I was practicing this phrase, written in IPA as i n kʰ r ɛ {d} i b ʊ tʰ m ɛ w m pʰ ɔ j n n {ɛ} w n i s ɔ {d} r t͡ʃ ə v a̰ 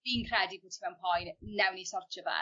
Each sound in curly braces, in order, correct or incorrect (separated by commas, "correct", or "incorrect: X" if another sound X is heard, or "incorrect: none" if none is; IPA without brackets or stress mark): correct, correct, incorrect: none